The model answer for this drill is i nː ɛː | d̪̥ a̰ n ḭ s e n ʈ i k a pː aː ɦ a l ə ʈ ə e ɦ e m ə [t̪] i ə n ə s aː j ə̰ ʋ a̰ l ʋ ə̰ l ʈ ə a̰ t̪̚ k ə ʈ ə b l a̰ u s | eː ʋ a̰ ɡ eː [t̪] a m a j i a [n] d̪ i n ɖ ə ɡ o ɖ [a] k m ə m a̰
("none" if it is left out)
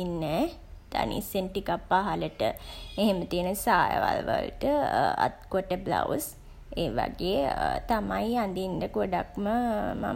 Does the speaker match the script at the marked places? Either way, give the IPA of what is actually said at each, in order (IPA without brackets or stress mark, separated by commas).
t̪, t̪, n, a